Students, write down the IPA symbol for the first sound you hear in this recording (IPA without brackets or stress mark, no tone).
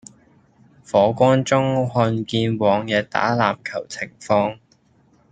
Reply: f